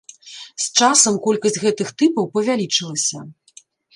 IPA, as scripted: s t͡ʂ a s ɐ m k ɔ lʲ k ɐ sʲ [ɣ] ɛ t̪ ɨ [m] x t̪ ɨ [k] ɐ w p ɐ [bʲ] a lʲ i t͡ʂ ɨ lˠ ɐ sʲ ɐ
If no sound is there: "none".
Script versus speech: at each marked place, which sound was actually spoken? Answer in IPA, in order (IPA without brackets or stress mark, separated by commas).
ɣ, none, p, vʲ